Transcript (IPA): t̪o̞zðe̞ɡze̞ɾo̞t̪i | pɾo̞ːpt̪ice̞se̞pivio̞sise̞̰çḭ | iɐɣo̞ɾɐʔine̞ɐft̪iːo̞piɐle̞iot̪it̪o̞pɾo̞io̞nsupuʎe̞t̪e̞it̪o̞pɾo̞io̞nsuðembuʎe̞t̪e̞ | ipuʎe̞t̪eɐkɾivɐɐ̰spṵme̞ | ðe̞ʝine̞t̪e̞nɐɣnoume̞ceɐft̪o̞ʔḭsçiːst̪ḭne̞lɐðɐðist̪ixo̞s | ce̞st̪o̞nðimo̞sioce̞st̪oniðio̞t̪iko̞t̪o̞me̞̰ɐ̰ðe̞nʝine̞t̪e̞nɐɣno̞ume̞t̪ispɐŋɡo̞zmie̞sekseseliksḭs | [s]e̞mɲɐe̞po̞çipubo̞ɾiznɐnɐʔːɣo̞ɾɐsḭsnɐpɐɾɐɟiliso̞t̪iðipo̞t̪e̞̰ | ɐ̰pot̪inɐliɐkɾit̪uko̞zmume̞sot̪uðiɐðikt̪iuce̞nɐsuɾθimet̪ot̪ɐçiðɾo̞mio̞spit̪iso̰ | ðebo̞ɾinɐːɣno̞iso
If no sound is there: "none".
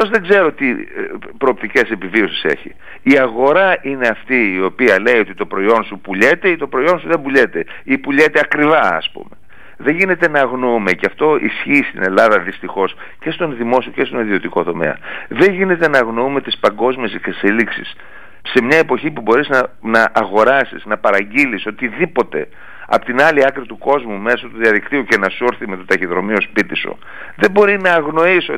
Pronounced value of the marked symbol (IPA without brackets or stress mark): s